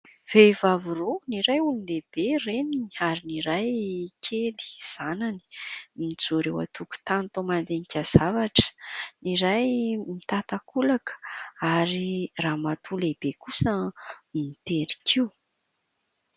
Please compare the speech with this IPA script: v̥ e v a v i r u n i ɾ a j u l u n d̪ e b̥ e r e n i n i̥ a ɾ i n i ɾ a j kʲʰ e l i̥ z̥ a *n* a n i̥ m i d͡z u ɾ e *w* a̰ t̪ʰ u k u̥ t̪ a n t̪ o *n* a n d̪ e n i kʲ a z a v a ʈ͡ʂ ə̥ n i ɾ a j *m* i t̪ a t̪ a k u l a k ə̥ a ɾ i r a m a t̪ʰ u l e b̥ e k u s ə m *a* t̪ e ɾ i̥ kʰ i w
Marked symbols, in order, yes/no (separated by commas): yes, yes, no, yes, no